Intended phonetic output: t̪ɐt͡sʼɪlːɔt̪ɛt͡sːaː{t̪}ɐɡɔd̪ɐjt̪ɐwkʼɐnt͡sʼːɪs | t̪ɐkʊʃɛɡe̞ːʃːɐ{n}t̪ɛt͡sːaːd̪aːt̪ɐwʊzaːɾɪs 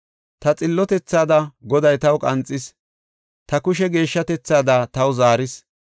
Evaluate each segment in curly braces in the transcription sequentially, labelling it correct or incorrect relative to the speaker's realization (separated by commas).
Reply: incorrect, incorrect